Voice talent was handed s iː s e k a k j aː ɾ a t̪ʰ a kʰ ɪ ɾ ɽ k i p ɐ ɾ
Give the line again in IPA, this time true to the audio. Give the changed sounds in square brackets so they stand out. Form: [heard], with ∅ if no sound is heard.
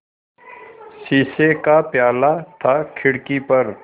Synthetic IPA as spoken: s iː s e k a [p] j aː [l] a t̪ʰ a kʰ ɪ [∅] ɽ k i p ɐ ɾ